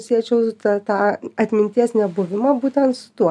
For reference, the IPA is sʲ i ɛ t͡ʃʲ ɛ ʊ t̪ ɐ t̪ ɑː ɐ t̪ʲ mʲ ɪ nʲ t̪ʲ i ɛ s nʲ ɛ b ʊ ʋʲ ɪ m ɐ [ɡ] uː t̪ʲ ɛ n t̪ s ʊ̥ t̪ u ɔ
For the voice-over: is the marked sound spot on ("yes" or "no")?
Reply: no